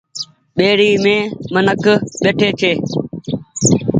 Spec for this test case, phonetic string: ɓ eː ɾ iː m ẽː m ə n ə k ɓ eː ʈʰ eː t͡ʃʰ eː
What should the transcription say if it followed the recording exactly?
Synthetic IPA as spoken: ɓ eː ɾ iː m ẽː m ə n ə k ɓ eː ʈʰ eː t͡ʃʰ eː